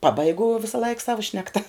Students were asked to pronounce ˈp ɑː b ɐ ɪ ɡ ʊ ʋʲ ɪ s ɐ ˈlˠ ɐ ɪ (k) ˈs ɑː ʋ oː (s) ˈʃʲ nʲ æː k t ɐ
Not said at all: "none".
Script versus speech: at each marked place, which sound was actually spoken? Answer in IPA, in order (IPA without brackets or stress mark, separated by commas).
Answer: k, none